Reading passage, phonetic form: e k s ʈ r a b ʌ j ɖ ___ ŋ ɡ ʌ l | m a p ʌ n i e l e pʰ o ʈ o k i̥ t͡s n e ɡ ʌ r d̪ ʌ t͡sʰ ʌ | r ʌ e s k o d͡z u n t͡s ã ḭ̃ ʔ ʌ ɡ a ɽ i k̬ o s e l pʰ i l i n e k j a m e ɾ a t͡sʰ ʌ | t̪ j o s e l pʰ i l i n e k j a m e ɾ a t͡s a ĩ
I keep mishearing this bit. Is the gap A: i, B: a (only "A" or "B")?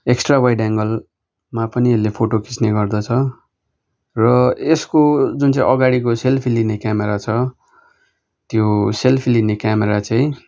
B